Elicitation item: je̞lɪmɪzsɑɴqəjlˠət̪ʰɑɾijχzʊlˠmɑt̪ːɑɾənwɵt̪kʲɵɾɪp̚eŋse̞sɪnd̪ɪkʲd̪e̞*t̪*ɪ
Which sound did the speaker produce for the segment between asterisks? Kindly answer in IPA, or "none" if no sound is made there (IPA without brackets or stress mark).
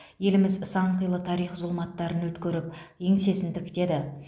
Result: d̪